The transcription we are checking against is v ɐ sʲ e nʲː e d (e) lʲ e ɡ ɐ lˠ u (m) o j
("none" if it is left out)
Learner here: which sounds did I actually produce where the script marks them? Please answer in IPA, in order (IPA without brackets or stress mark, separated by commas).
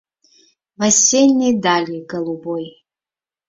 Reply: a, b